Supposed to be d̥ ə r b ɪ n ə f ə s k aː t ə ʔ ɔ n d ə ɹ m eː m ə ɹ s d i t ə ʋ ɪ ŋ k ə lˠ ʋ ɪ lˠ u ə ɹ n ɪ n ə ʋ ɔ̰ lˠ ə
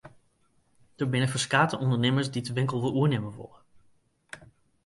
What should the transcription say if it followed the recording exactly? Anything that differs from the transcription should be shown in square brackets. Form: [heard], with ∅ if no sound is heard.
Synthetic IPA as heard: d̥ ə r b ɪ n ə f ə s k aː t ə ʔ ɔ n d ə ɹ [n] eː m ə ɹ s d i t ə ʋ ɪ ŋ k ə lˠ ʋ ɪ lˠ u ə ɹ n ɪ [m] ə ʋ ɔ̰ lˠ ə